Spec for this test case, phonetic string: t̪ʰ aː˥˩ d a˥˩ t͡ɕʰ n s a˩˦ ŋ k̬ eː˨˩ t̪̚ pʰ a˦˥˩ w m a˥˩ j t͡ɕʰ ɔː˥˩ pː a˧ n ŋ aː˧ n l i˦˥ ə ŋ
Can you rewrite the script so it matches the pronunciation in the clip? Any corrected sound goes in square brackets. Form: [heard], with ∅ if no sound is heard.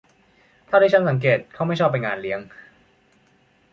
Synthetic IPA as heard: t̪ʰ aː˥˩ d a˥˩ t͡ɕʰ n s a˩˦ ŋ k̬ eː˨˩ t̪̚ [kʰ] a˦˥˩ w m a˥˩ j t͡ɕʰ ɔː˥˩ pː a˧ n ŋ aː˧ n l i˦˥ ə ŋ